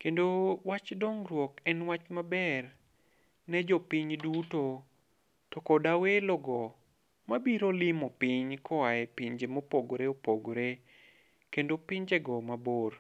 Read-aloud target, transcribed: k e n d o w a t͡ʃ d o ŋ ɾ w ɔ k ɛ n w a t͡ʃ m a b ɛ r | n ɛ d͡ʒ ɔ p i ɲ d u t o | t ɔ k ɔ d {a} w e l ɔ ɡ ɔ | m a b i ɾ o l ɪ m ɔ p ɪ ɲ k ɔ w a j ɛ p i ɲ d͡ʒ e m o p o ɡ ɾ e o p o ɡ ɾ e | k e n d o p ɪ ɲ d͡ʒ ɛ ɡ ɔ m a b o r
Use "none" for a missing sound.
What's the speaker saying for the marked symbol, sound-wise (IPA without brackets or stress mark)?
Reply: a